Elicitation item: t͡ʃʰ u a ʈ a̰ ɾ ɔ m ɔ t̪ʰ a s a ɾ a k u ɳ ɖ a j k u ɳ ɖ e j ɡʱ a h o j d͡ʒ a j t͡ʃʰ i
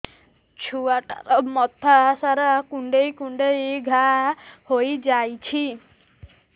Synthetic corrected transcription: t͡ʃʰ u a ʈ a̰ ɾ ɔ m ɔ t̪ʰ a s a ɾ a k u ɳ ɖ e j k u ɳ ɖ e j ɡʱ a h o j d͡ʒ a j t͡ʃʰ i